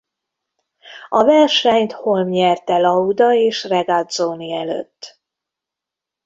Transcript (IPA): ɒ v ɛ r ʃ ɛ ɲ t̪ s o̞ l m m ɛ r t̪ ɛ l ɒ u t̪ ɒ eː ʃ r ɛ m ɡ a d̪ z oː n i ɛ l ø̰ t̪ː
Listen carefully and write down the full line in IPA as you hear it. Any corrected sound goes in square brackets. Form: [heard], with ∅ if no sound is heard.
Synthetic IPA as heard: ɒ v ɛ r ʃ ɛ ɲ t̪ [h] o̞ l m [ɲ] ɛ r t̪ ɛ l ɒ u [d̪] ɒ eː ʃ r ɛ [∅] ɡ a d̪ z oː n i ɛ l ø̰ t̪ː